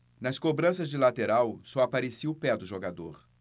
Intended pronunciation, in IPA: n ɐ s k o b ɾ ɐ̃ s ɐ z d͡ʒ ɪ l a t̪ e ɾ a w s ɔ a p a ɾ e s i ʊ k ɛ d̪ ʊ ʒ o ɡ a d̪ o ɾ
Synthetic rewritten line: n ɐ s k o b ɾ ɐ̃ s ɐ z d͡ʒ ɪ l a t̪ e ɾ a w s ɔ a p a ɾ e s i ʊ p ɛ d̪ ʊ ʒ o ɡ a d̪ o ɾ